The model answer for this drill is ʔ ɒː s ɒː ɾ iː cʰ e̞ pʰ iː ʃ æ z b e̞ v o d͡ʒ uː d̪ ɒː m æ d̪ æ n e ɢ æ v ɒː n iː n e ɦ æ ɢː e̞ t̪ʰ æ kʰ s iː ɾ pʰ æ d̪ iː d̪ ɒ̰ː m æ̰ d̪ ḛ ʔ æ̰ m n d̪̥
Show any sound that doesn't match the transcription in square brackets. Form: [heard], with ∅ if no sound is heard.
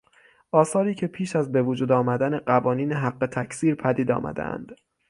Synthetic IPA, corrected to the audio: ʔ ɒː s ɒː ɾ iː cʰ e̞ pʰ iː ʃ æ z b e̞ v o d͡ʒ uː d̪ ɒː m æ d̪ æ n e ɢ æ v ɒː n iː n e ɦ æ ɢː e̞ t̪ʰ æ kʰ s iː ɾ pʰ æ d̪ iː d̪ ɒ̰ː m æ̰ d̪ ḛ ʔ æ̰ [∅] n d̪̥